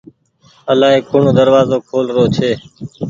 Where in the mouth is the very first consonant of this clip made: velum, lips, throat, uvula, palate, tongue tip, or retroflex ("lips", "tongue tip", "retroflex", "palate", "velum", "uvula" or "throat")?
tongue tip